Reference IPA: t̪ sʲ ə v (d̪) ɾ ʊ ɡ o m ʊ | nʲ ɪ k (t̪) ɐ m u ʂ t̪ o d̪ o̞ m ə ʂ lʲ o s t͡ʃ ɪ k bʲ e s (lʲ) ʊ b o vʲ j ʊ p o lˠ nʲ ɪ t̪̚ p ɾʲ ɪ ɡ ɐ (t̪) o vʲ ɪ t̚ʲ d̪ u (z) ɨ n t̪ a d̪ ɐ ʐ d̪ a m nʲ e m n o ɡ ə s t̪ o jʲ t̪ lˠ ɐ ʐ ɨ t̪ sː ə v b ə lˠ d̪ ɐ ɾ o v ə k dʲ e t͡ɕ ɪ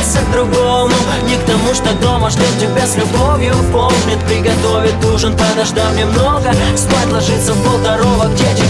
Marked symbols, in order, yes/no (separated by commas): yes, yes, yes, yes, no